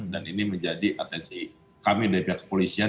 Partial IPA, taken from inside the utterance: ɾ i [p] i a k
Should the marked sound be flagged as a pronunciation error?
no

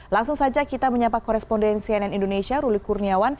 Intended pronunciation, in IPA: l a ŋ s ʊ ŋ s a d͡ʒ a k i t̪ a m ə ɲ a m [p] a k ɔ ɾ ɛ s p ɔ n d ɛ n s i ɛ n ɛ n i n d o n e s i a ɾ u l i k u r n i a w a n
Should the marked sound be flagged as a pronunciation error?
no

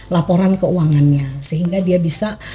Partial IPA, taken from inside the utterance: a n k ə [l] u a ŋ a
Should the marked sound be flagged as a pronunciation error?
yes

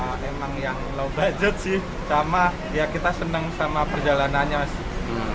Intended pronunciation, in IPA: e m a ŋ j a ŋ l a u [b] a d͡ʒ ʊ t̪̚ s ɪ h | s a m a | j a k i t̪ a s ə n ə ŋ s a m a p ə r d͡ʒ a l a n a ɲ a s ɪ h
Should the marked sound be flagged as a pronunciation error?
no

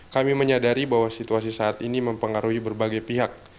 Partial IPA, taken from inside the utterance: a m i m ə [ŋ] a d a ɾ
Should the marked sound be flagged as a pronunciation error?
yes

